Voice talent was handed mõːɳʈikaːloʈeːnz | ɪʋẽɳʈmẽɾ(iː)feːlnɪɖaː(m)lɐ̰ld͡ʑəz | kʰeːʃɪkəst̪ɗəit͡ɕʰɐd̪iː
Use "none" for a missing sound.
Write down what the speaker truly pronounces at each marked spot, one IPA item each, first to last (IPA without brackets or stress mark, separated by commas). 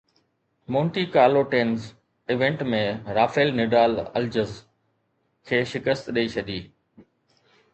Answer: aː, none